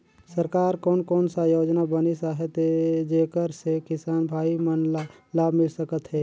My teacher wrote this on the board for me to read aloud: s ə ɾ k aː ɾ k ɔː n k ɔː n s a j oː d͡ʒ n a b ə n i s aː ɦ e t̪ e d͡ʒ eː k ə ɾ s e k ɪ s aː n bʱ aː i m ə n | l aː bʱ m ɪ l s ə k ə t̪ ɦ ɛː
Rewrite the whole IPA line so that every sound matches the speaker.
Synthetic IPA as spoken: s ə ɾ k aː ɾ k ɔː n k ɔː n s a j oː d͡ʒ n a b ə n i s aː ɦ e t̪ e d͡ʒ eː k ə ɾ s e k ɪ s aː n bʱ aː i m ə n | l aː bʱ m ɪ l s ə k ə t̪ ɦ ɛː